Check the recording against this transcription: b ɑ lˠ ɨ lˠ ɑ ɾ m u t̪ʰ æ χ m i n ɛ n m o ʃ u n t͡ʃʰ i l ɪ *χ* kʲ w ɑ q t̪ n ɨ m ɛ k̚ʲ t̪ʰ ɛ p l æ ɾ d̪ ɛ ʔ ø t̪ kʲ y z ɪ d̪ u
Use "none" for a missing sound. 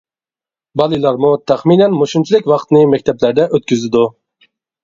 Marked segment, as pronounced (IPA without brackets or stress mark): none